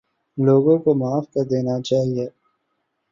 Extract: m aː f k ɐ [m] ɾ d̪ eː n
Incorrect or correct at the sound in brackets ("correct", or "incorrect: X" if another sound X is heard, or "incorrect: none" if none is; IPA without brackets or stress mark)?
incorrect: none